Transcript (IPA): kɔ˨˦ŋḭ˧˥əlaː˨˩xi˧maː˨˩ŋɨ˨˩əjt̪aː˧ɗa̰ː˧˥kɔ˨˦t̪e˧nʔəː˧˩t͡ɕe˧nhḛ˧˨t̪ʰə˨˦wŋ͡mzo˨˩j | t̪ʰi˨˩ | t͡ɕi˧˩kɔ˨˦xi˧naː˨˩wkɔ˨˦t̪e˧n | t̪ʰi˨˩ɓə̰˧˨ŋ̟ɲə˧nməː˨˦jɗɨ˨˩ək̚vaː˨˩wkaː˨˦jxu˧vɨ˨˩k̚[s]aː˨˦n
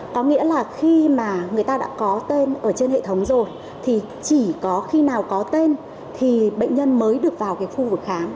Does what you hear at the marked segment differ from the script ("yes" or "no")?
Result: yes